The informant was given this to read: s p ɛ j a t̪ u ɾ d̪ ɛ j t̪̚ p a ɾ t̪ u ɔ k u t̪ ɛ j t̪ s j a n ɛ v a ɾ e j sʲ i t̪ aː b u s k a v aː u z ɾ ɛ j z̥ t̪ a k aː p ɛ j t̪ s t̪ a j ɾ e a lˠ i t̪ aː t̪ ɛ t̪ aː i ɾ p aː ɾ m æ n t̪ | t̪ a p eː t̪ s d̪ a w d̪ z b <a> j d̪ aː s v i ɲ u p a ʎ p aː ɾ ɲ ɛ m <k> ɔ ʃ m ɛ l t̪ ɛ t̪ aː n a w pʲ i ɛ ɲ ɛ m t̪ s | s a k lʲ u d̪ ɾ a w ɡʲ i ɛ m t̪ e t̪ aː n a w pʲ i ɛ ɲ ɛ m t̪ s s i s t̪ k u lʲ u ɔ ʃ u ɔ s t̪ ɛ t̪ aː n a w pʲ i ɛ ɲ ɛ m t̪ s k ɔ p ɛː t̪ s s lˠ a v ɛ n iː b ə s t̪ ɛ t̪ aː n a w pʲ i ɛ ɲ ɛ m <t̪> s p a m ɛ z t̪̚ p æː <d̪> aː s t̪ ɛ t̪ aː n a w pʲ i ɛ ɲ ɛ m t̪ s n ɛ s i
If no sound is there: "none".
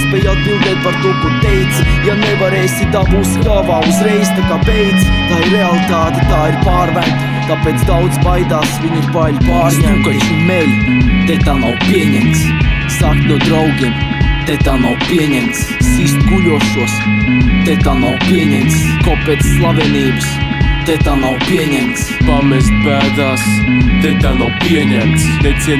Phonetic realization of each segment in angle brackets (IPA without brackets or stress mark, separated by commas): a, k, t̪, d̪